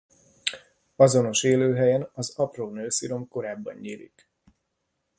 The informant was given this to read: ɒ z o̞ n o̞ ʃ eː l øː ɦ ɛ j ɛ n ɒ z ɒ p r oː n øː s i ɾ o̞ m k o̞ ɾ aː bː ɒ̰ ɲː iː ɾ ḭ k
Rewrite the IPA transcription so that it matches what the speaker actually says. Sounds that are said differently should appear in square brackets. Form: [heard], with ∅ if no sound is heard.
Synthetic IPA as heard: ɒ z o̞ n o̞ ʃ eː l øː ɦ ɛ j ɛ n ɒ z ɒ p r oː n øː s i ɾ o̞ m k o̞ ɾ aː bː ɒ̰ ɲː iː ɾ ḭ k